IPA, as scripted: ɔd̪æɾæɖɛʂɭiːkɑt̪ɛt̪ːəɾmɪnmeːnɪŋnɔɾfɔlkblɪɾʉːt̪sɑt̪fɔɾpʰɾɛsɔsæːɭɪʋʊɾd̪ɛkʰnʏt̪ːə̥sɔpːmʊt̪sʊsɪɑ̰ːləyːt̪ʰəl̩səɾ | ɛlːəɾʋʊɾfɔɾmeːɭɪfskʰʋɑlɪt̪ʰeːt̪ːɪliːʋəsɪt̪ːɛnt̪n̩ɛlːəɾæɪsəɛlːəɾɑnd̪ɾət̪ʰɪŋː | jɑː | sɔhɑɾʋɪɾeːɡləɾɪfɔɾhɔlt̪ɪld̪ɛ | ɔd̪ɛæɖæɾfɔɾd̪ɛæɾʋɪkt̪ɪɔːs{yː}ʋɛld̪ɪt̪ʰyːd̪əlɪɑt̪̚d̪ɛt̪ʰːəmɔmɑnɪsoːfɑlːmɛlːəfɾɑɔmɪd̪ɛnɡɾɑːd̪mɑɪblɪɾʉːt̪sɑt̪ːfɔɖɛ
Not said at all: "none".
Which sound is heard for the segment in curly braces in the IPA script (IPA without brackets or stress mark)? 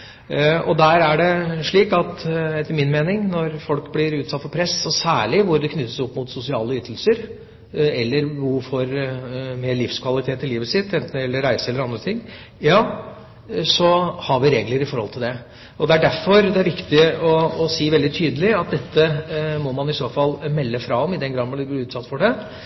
iː